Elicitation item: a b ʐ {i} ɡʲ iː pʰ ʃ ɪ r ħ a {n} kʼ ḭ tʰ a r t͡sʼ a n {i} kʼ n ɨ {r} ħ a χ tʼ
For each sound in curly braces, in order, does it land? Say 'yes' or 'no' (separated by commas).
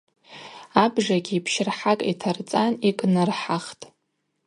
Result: no, no, yes, yes